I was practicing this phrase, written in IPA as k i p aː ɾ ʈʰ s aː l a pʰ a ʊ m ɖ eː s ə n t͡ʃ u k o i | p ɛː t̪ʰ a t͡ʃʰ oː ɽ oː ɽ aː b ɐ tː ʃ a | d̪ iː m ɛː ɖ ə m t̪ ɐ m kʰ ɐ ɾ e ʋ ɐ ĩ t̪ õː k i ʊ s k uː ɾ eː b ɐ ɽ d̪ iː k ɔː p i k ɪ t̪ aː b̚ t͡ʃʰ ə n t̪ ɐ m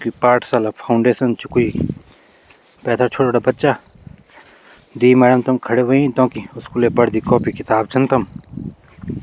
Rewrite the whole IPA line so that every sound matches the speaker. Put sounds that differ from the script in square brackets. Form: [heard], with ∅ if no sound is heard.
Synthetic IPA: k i p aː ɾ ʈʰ s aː l a pʰ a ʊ [ɳ] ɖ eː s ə n t͡ʃ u k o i | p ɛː t̪ʰ a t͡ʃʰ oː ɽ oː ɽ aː b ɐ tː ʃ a | d̪ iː m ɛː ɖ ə m t̪ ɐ m kʰ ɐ [ɽ] e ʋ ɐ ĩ t̪ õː k i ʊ s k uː [l] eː b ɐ ɽ d̪ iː k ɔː p i k ɪ t̪ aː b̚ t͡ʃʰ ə n t̪ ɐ m